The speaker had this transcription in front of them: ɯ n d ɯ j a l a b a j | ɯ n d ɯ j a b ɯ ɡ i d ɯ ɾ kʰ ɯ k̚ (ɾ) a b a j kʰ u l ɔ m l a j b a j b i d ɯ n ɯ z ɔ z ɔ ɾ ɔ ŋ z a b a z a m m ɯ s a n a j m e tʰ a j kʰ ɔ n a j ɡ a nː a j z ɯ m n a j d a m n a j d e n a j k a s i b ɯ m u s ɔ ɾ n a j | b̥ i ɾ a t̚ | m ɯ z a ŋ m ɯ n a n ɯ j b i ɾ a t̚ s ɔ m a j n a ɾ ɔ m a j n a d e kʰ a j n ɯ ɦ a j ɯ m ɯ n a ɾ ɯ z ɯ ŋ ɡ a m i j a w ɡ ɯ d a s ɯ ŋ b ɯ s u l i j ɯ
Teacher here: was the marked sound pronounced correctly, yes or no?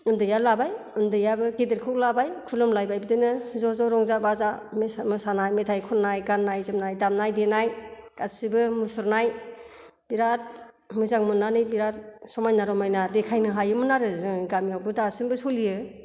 no